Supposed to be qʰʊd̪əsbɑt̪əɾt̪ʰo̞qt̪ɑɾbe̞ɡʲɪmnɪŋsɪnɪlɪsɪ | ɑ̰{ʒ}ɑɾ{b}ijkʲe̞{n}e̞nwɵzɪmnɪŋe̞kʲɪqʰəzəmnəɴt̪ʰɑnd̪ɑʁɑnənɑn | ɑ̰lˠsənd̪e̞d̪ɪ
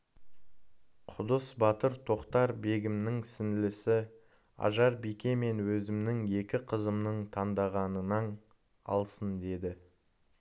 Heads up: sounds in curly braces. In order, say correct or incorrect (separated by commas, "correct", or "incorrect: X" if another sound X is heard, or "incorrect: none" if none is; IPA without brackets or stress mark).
correct, correct, incorrect: m